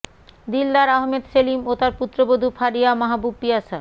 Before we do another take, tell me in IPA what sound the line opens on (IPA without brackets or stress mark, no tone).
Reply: d̪